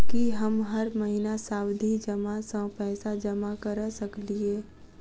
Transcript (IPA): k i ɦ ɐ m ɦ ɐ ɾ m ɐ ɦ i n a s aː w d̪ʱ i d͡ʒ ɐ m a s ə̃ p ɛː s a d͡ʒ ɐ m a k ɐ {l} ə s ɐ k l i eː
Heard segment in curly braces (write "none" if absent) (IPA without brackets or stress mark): ɾ